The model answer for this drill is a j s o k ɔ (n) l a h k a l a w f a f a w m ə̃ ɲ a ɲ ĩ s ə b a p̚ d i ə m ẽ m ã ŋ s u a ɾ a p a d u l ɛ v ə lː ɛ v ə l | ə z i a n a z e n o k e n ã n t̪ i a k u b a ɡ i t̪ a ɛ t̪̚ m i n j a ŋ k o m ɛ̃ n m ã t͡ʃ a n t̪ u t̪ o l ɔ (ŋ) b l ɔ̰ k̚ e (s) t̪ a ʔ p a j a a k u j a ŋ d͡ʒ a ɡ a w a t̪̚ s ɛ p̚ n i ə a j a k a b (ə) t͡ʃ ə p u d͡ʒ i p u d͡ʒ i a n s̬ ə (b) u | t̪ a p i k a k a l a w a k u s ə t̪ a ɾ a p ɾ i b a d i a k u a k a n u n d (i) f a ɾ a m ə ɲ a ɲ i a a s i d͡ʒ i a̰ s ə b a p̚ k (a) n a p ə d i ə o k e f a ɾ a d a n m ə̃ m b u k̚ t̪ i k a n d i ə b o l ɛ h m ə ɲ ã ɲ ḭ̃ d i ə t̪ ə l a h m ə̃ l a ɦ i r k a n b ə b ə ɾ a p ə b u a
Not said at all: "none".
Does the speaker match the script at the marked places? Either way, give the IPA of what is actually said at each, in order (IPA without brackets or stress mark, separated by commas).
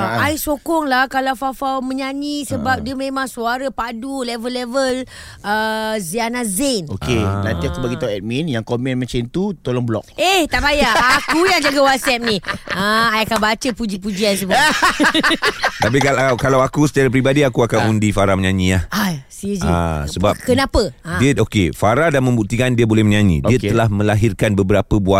ŋ, ŋ, h, a, b, i, ə